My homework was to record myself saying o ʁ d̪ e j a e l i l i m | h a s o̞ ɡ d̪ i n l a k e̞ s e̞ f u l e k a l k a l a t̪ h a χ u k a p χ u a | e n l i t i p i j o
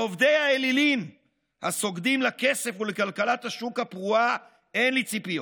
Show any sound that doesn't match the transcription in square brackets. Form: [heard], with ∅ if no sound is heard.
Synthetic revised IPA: o [v] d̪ e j a e l i l i m | h a s o̞ ɡ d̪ i [m] l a k e̞ s e̞ f u l e k a l k a l a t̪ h a [ʃ] u k a p [ʁ] u a | e n l i [t͡s] i p i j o

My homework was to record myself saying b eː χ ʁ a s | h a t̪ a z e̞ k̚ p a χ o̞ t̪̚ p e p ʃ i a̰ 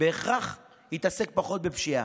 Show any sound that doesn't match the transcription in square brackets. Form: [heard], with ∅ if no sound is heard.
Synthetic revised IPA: b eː χ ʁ a [χ] | h [i] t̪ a [s] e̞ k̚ p a χ o̞ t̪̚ [b] e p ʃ i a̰

